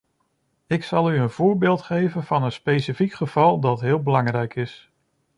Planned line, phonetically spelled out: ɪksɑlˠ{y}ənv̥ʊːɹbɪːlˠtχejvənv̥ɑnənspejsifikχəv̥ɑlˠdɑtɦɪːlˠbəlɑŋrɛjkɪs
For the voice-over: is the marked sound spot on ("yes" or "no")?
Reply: yes